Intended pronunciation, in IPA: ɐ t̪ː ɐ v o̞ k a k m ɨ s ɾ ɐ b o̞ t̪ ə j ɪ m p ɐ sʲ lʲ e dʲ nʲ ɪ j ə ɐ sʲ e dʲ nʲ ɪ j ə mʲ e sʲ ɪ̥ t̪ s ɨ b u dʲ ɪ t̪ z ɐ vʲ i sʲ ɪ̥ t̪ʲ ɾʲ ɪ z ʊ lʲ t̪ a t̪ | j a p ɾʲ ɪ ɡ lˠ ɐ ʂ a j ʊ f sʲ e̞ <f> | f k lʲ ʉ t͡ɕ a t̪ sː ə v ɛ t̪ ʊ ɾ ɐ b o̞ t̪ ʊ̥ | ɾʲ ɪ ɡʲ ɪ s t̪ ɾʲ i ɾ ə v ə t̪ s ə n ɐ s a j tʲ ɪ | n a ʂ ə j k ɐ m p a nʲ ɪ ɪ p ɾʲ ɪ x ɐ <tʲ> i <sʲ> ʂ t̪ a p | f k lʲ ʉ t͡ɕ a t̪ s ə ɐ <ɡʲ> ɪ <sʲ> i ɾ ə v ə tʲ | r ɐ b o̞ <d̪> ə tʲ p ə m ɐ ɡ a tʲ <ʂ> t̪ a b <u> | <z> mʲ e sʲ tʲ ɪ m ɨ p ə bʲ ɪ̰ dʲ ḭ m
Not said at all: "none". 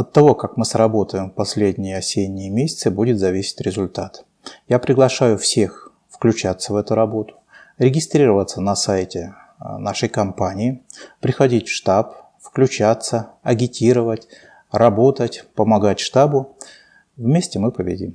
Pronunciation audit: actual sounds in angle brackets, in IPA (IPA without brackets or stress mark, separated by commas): x, dʲ, tʲ, ɡʲ, tʲ, t̪, ʂ, ʊ, v